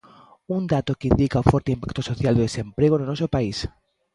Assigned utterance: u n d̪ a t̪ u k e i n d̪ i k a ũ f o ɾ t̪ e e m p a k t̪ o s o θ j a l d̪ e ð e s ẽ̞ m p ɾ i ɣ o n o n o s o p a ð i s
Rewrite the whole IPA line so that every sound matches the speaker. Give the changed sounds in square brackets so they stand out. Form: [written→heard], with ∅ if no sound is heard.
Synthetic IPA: u n d̪ a t̪ [u→o] k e i n d̪ i k a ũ f o ɾ t̪ e [e→i] m p a k t̪ o s o θ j a l d̪ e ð e s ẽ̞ m p ɾ [i→e] ɣ o n o n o s o p a [ð→∅] i s